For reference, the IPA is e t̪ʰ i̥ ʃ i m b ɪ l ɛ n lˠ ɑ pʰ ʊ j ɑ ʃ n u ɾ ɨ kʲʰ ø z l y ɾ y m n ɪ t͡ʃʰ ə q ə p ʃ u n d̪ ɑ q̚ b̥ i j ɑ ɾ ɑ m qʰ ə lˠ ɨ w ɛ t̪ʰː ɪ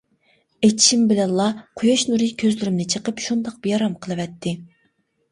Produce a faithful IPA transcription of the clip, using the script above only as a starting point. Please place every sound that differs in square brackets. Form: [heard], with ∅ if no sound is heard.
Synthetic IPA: e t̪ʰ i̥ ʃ i m b ɪ l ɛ n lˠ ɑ [qʰ] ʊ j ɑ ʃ n u ɾ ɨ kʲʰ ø z l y ɾ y m n ɪ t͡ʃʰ ə q ə p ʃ u n d̪ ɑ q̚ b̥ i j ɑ ɾ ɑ m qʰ ə lˠ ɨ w ɛ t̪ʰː ɪ